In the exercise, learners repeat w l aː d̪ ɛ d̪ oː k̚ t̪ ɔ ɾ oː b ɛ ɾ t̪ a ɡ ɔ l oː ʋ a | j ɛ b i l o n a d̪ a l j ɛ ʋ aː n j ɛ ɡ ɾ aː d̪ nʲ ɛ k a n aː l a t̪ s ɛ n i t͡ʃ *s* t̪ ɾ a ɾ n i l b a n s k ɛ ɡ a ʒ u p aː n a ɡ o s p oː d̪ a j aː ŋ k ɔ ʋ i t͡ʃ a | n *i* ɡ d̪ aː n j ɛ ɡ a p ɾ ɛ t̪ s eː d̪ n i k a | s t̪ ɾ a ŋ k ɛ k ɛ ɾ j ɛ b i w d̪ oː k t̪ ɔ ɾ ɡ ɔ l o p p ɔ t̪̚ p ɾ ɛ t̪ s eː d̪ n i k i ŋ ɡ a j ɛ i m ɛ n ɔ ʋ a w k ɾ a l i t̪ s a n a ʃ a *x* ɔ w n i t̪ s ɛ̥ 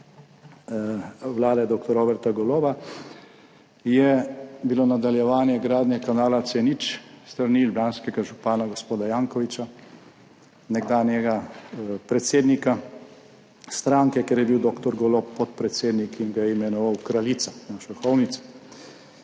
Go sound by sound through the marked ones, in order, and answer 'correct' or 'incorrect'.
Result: correct, incorrect: ɛ, correct

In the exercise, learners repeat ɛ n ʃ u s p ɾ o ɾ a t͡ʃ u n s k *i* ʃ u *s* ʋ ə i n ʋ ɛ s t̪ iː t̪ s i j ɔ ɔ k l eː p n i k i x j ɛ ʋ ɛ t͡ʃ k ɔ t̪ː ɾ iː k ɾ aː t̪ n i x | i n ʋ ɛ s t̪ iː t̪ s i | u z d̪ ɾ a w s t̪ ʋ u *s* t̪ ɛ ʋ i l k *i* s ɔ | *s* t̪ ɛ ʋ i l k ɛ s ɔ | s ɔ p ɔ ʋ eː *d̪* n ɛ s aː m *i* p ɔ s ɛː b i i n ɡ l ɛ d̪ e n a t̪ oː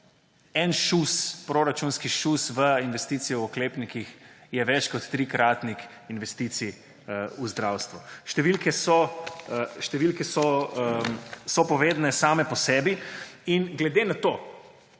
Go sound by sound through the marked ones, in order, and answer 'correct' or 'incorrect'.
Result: correct, correct, incorrect: ʃ, incorrect: ɛ, incorrect: ʃ, correct, incorrect: ɛ

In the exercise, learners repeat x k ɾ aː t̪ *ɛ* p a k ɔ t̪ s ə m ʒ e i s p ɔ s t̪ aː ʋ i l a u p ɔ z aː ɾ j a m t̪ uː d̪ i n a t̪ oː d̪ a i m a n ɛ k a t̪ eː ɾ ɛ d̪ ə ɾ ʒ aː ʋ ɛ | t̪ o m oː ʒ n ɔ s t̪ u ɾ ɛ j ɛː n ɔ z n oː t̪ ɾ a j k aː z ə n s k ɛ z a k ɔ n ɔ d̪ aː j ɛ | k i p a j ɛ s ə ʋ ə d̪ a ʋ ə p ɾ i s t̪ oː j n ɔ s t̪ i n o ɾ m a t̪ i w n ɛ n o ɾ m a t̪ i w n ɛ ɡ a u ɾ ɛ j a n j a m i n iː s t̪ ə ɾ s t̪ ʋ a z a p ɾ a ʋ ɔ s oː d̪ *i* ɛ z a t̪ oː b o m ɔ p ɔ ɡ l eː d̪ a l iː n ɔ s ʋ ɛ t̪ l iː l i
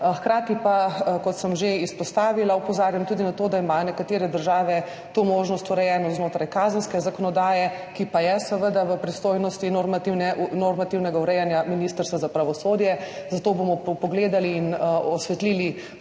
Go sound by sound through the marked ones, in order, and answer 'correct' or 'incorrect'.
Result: incorrect: i, incorrect: j

